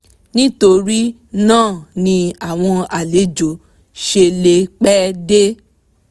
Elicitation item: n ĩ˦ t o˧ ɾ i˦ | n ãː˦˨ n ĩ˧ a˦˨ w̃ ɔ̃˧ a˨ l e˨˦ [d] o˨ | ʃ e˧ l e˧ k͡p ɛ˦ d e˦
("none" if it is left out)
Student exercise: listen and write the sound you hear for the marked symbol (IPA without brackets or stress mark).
d͡ʒ